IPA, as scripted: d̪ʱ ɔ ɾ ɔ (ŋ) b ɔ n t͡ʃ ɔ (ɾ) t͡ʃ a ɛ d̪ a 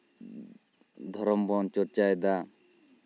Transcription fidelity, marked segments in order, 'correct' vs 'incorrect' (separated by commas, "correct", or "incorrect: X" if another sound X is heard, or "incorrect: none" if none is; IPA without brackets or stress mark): incorrect: m, correct